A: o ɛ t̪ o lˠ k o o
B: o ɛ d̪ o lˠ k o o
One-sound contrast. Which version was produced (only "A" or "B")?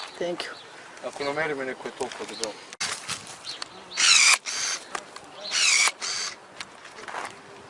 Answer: A